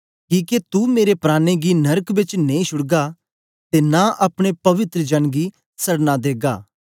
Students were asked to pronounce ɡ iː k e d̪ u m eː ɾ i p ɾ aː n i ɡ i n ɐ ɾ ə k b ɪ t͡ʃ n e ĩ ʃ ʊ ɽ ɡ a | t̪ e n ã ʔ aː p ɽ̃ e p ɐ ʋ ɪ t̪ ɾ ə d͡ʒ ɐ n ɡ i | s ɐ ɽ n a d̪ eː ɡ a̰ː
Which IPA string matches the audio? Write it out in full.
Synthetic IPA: k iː k e t̪ u m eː ɾ e p ɾ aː n e ɡ i n ɐ ɾ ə k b ɪ t͡ʃ n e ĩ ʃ ʊ ɽ ɡ a | t̪ e n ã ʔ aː p ɽ̃ e p ɐ ʋ ɪ t̪ ɾ ə d͡ʒ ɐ n ɡ i | s ɐ ɽ n a d̪ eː ɡ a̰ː